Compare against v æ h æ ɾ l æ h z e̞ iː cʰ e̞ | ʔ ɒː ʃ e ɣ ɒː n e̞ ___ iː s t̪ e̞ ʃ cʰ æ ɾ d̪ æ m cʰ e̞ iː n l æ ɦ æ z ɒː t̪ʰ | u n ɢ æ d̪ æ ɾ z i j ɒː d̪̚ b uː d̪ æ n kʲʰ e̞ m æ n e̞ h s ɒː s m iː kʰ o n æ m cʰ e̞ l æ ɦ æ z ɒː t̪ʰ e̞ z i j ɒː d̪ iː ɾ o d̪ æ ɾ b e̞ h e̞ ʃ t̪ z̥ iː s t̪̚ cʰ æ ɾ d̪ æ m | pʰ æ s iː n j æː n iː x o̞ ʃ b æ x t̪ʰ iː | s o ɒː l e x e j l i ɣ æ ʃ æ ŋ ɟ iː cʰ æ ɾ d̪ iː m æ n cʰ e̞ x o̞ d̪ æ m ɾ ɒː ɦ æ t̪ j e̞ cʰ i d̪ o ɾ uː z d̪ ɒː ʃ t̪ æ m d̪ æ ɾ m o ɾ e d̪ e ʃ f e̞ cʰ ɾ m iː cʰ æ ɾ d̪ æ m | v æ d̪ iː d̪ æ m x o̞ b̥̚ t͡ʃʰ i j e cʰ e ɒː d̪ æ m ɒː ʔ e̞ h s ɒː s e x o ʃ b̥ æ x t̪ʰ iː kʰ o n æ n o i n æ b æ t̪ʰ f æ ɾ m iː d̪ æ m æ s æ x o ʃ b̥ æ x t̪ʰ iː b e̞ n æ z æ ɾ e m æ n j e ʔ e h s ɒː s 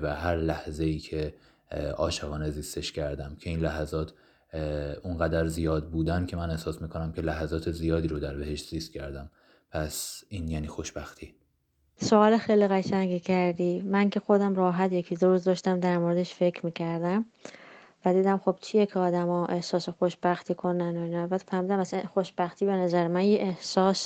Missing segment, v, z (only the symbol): z